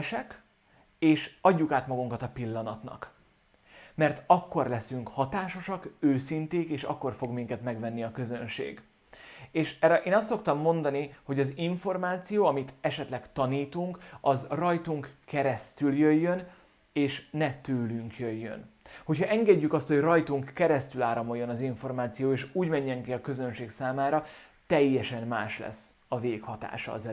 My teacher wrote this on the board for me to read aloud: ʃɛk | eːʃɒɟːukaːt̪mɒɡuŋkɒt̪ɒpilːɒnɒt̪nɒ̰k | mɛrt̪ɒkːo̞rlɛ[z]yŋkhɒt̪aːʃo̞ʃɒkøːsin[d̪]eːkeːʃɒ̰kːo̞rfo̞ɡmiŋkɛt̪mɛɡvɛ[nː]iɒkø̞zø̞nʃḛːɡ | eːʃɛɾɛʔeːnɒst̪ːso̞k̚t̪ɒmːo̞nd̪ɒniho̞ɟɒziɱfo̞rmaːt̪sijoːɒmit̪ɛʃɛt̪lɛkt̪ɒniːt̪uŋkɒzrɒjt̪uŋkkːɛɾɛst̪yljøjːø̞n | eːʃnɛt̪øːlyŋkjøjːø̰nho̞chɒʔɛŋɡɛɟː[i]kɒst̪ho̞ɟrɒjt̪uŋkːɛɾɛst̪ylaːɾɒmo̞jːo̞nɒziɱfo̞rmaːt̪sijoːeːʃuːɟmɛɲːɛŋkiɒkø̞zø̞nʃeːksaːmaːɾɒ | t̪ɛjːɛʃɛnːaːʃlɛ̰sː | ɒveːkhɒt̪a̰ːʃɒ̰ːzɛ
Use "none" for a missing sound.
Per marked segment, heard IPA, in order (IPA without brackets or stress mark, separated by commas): s, t̪, nː, y